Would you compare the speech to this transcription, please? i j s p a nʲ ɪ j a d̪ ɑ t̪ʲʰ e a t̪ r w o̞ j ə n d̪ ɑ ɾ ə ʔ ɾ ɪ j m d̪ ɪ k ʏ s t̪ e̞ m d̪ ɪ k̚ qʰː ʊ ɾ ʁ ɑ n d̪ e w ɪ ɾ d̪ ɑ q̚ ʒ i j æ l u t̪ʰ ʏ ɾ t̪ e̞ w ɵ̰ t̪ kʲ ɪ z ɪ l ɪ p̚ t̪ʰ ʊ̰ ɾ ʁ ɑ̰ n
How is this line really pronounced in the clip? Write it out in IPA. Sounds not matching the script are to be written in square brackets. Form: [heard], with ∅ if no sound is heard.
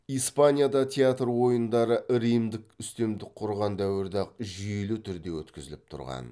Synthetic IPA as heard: i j s p a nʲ [i] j a d̪ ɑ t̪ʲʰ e a t̪ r w o̞ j ə n d̪ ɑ ɾ ə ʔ ɾ [i] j m d̪ ɪ k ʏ s t̪ e̞ m d̪ ɪ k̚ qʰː ʊ ɾ ʁ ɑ n d̪ [æ] w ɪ ɾ d̪ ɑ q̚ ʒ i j [e] l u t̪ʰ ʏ ɾ [d̪] e̞ w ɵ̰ t̪ kʲ ɪ z ɪ l ɪ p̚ t̪ʰ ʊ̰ ɾ ʁ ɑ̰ n